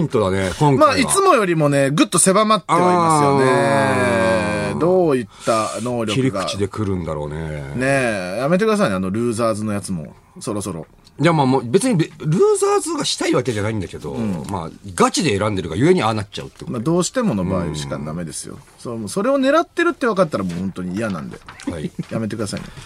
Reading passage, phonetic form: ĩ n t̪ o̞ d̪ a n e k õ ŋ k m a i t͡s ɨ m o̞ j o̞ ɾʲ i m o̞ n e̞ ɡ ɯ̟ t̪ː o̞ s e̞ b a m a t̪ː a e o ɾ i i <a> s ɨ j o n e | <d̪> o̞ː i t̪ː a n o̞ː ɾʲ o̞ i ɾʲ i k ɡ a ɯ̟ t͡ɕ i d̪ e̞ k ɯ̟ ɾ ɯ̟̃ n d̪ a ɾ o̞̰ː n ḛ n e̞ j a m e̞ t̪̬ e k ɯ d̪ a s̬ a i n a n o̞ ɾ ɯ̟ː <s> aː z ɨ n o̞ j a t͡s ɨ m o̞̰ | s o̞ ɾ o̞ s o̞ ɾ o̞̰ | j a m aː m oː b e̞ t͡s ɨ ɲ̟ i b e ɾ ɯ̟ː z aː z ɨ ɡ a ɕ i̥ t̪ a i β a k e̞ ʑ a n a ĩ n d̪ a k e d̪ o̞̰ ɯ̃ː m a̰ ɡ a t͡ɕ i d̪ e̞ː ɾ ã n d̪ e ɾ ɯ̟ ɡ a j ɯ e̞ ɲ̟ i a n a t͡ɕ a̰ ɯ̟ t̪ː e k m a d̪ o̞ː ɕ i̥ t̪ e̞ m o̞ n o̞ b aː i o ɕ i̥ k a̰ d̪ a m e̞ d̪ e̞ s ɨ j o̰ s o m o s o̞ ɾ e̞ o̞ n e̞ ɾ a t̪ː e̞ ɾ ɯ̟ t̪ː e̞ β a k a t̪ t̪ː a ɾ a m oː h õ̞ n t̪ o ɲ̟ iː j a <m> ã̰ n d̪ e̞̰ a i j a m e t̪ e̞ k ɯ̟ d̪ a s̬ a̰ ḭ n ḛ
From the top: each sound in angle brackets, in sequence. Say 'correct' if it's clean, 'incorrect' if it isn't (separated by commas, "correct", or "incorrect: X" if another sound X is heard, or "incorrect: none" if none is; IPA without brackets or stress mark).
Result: correct, correct, incorrect: z, incorrect: n